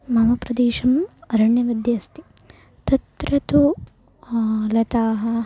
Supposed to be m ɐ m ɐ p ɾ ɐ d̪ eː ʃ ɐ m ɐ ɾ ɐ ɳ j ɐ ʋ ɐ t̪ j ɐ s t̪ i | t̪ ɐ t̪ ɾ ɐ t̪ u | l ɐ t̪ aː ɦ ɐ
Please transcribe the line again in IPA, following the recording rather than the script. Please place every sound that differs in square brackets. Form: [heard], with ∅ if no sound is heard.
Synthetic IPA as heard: m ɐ m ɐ p ɾ ɐ d̪ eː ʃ ɐ m ɐ ɾ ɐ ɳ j ɐ ʋ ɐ [d̪] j ɐ s t̪ i | t̪ ɐ t̪ ɾ ɐ t̪ u | l ɐ t̪ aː ɦ ɐ